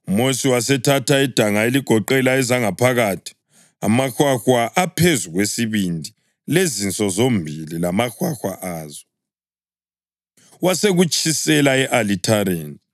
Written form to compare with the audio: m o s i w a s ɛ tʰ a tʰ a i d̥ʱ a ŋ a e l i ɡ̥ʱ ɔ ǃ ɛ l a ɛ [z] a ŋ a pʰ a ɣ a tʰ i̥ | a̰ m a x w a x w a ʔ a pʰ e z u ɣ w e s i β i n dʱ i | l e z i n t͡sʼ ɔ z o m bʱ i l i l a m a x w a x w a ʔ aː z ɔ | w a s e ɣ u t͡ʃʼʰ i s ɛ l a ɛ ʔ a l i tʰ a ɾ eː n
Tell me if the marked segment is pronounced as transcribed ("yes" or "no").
yes